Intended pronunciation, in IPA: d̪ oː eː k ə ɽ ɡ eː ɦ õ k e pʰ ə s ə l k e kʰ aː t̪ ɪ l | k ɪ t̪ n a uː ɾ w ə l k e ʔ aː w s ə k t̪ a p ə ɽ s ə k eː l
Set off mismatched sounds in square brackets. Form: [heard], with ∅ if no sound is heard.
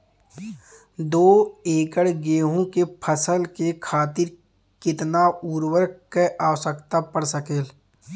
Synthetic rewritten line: d̪ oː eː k ə ɽ ɡ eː ɦ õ k e pʰ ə s ə l k e kʰ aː t̪ ɪ [ɾ] | k ɪ t̪ n a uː ɾ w ə [ɾ] k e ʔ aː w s ə k t̪ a p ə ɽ s ə k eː l